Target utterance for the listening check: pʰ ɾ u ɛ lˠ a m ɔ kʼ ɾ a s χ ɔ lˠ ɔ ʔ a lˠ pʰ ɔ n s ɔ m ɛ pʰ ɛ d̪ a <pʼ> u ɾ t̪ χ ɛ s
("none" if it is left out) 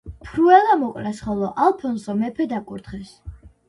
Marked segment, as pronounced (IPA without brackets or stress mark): kʼ